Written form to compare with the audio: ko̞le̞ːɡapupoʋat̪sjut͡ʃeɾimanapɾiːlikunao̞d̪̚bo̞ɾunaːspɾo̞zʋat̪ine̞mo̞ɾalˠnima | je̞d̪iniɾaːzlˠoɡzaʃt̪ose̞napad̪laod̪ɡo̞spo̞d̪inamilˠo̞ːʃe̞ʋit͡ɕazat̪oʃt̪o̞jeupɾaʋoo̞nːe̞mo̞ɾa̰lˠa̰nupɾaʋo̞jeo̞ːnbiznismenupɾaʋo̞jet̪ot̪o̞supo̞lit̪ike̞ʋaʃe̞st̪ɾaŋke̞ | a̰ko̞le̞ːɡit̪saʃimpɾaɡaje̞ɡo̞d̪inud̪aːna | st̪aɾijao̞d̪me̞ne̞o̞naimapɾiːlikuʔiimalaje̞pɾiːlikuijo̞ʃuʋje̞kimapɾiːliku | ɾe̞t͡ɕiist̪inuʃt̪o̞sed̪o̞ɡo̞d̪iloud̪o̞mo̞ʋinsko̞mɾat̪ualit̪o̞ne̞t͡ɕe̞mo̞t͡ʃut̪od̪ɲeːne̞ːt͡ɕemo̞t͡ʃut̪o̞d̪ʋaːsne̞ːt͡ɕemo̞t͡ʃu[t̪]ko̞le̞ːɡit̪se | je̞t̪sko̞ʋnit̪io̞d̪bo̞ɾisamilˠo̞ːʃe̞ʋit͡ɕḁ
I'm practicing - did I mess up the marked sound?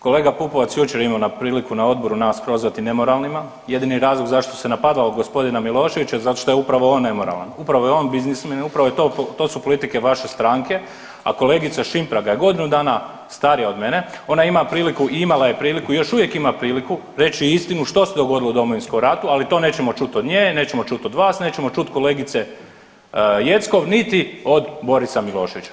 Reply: no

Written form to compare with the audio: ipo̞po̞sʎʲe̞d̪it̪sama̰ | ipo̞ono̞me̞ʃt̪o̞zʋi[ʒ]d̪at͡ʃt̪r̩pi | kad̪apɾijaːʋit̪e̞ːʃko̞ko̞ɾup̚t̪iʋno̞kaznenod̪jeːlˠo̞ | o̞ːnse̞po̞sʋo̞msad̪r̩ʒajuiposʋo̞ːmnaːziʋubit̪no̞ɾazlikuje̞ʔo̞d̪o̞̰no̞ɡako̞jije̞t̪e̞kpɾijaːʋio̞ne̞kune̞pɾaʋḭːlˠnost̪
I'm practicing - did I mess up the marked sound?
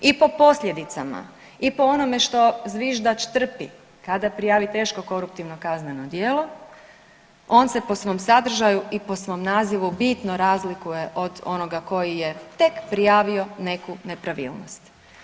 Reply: no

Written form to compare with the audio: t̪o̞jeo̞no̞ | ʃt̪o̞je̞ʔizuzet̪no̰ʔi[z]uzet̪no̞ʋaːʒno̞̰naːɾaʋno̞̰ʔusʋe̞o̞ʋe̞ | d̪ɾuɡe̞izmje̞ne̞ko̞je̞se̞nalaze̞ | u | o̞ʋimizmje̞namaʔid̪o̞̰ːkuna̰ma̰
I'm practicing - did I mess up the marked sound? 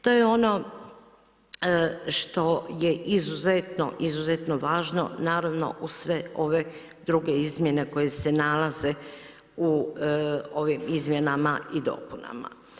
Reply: no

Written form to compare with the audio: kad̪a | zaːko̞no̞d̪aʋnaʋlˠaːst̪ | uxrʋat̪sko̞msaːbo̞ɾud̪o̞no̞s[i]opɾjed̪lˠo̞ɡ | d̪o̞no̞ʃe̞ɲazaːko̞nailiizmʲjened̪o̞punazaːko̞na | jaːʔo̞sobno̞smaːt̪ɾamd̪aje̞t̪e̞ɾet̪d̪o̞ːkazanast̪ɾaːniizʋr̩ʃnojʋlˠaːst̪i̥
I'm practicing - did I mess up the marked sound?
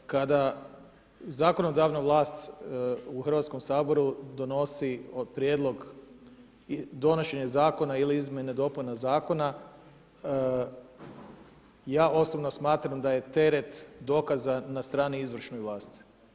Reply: no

